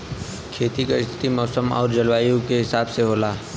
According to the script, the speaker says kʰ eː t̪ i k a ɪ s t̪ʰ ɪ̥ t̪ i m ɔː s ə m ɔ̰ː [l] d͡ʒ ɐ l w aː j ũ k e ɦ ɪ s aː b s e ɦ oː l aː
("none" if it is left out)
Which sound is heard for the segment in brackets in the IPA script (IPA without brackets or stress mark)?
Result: ɾ